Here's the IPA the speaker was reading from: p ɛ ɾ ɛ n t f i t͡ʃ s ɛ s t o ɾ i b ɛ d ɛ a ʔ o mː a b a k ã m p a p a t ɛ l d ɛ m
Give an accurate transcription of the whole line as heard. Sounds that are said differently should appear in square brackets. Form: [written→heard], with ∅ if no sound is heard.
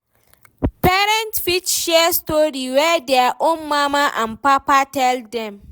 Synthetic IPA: p ɛ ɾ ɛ n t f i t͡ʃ [s→ʃ] ɛ s t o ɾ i [b→w] ɛ d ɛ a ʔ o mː a [b→m] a [k→ʔ] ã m p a p a t ɛ l d ɛ m